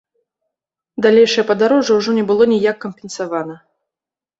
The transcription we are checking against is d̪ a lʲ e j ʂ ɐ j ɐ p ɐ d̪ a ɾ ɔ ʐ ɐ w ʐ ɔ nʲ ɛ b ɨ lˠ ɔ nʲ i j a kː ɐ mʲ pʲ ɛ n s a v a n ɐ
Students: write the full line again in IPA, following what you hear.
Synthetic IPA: d̪ a lʲ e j ʂ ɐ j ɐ p ɐ d̪ a ɾ ɔ ʐ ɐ w ʐ ɔ nʲ ɛ b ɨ lˠ ɔ nʲ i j a kː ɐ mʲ pʲ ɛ n s a v a n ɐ